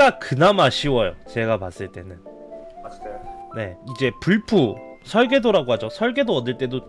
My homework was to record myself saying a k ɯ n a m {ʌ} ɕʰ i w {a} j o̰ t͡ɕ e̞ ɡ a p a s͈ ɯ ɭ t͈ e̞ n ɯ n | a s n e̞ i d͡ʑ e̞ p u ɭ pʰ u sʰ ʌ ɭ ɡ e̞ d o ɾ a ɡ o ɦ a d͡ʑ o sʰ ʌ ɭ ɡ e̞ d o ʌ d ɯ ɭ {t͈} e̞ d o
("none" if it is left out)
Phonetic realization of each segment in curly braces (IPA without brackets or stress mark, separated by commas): a, ʌ, t͈